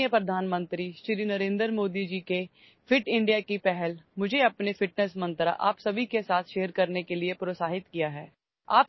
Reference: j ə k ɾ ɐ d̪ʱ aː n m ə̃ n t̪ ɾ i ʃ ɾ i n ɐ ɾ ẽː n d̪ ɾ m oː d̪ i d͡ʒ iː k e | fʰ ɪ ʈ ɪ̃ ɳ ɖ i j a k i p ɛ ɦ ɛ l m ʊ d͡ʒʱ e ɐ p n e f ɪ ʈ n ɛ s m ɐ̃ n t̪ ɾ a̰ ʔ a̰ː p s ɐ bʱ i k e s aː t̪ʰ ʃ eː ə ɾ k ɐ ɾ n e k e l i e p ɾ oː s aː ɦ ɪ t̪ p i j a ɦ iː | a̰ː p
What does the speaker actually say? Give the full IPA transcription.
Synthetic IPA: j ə p ɾ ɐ d̪ʱ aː n m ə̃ n t̪ ɾ i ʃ ɾ i n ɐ ɾ ẽː n d̪ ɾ m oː d̪ i d͡ʒ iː k e | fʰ ɪ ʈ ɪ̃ ɳ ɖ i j a k i p ɛ ɦ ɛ l m ʊ d͡ʒʱ e ɐ p n e f ɪ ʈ n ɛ s m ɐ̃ n t̪ ɾ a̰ ʔ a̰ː p s ɐ bʱ i k e s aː t̪ʰ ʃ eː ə ɾ k ɐ ɾ n e k e l i e p ɾ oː s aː ɦ ɪ t̪ k i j a ɦ ɛː | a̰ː p